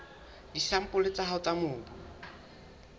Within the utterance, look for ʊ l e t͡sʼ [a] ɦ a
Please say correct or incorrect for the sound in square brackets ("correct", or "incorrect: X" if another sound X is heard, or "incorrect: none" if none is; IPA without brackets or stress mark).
correct